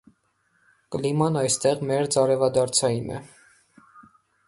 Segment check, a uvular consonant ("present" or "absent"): present